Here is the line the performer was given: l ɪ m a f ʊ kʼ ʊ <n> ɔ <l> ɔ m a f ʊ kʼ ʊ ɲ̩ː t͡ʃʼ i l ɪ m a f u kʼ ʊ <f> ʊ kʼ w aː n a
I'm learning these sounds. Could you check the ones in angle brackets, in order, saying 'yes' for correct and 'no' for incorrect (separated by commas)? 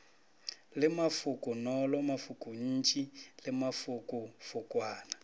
yes, yes, yes